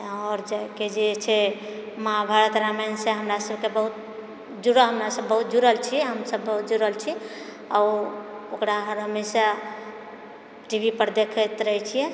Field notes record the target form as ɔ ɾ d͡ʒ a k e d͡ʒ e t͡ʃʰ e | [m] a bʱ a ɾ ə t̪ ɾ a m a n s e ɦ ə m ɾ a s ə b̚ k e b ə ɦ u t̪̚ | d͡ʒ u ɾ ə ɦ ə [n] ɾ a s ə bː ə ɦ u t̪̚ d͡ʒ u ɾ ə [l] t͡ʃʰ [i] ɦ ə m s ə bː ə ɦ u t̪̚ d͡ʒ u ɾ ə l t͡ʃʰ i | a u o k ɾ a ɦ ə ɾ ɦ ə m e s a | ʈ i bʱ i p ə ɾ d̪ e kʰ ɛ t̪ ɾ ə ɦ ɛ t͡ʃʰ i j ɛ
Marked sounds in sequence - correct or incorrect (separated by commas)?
correct, incorrect, correct, correct